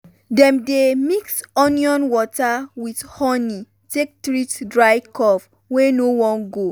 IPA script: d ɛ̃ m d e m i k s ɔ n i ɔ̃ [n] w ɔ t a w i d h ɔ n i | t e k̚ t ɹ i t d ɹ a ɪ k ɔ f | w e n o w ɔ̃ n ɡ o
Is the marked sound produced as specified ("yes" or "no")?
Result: yes